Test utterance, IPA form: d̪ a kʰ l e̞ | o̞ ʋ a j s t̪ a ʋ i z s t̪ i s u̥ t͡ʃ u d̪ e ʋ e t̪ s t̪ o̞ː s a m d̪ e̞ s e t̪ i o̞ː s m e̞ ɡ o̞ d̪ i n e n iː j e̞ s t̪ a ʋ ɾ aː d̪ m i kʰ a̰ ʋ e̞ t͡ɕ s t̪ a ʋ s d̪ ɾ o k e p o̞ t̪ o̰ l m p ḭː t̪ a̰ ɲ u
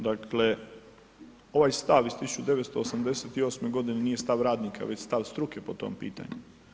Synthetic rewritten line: d̪ a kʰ l e̞ | o̞ ʋ a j s t̪ a ʋ i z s t̪ i s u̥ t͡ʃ u d̪ e ʋ e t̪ s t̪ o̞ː s a m d̪ e̞ s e t̪ i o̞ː s m e̞ ɡ o̞ d̪ i n e n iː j e̞ s t̪ a ʋ ɾ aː d̪ n i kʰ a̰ ʋ e̞ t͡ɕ s t̪ a ʋ s t̪ ɾ u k e p o̞ t̪ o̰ m p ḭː t̪ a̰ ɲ u